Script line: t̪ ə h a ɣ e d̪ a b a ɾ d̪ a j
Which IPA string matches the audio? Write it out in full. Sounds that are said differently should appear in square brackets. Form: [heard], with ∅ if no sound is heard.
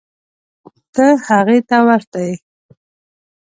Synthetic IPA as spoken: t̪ ə h a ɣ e [t̪] a [w] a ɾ [t̪] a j